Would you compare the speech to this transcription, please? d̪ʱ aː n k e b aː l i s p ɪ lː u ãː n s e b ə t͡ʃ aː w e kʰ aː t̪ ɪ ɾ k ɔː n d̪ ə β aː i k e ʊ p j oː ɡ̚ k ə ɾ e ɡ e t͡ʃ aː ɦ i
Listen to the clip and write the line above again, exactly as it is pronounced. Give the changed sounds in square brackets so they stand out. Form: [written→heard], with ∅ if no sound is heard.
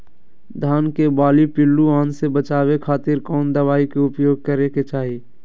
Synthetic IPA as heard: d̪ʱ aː n k e b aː l i [s→∅] p ɪ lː u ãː n s e b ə t͡ʃ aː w e kʰ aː t̪ ɪ ɾ k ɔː n d̪ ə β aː i k e ʊ p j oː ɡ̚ k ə ɾ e [ɡ→k] e t͡ʃ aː ɦ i